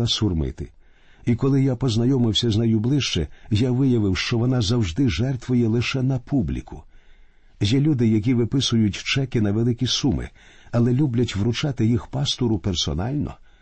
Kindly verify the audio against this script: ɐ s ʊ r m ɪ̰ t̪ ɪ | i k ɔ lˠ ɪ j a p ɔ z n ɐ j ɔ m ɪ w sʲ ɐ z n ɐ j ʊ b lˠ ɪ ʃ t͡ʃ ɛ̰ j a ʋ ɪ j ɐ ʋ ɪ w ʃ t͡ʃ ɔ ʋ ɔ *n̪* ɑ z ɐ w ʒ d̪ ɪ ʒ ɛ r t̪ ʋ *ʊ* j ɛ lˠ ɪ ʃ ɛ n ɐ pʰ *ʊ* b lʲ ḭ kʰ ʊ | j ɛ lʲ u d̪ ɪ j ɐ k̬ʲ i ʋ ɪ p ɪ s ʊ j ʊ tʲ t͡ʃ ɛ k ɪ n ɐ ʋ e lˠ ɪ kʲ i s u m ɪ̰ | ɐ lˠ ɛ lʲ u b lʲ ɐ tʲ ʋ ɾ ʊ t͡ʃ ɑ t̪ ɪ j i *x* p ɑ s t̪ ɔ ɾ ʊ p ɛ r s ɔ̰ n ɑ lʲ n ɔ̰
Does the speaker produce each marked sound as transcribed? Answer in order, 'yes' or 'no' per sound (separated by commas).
yes, yes, no, yes